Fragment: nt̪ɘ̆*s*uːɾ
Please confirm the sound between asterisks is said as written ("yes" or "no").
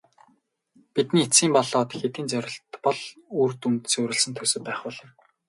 yes